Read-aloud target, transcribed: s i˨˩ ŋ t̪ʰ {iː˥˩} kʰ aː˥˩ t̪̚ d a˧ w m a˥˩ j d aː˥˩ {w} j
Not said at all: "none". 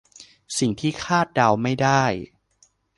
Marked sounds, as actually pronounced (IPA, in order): iː˥˩, none

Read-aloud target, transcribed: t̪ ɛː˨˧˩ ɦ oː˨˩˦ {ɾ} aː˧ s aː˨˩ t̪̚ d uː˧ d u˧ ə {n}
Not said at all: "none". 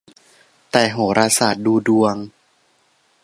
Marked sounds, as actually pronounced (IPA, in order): ɾ, ŋ

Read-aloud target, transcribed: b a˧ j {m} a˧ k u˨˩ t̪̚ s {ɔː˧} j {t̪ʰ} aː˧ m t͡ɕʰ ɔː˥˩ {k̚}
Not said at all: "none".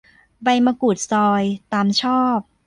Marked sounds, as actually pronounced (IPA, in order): m, ɔː˧, t̪, p̚

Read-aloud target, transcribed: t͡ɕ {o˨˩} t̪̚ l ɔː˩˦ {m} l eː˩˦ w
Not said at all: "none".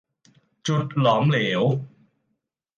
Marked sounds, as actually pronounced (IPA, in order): u˨˩, m

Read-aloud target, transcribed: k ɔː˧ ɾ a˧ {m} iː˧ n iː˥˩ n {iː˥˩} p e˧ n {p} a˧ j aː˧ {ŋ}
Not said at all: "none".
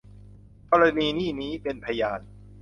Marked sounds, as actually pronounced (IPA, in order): n, iː˦˥, pʰ, n

